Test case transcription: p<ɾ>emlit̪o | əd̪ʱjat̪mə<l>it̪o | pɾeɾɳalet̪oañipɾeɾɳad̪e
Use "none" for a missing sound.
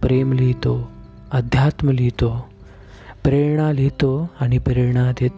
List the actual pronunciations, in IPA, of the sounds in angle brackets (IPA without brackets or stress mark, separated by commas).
ɾ, l